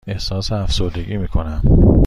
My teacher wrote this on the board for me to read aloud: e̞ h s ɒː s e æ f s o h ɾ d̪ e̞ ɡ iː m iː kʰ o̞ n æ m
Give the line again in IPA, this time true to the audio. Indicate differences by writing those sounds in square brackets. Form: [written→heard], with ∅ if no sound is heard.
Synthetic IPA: e̞ h s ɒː s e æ f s o [h→∅] ɾ d̪ e̞ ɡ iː m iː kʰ o̞ n æ m